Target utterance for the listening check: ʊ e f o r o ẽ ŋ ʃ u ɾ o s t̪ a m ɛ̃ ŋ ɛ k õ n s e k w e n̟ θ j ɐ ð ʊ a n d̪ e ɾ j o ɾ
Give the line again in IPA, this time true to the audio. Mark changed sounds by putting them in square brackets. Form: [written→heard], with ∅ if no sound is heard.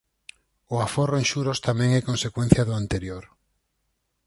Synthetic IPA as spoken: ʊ [e→a] f o r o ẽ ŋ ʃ u ɾ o s t̪ a m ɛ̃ ŋ ɛ k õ n s e k w e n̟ θ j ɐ ð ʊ a n [d̪→t̪] e ɾ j o ɾ